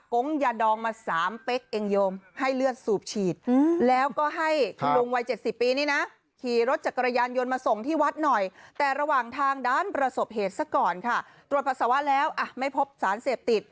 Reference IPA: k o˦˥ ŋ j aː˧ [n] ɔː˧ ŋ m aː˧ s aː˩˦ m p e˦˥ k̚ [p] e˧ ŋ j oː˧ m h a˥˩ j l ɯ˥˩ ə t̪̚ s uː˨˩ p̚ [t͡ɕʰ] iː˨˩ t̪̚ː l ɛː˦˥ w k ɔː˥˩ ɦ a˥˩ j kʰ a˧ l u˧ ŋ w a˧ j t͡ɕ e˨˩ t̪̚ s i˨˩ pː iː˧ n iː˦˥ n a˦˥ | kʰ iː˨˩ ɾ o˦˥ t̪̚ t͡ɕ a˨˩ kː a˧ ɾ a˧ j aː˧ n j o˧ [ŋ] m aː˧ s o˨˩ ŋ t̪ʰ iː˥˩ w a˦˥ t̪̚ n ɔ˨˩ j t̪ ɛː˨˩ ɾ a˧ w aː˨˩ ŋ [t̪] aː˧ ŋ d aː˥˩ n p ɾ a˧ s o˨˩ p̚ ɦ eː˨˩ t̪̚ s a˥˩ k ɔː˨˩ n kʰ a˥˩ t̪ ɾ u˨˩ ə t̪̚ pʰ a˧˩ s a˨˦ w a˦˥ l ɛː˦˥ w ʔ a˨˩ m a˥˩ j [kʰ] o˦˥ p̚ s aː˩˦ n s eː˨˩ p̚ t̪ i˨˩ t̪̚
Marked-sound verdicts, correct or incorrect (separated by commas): incorrect, incorrect, correct, incorrect, incorrect, incorrect